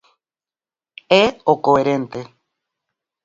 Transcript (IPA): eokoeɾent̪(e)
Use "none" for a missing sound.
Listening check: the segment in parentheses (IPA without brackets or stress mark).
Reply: e